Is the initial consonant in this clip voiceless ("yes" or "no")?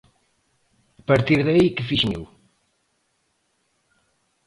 yes